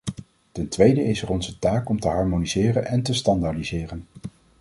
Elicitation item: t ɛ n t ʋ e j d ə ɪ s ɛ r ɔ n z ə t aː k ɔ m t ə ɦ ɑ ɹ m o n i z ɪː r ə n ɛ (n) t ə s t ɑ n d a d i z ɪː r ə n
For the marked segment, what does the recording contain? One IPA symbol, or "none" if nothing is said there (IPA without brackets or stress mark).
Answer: n